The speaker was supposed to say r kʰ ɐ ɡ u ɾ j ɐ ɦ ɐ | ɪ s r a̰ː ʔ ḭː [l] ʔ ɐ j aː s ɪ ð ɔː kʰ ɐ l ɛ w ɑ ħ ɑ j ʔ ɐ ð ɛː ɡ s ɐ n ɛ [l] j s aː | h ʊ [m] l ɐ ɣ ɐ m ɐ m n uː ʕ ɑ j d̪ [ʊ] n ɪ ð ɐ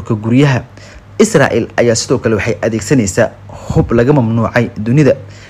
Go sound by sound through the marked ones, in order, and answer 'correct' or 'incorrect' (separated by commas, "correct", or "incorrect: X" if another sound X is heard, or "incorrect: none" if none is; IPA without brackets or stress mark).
correct, incorrect: none, incorrect: b, correct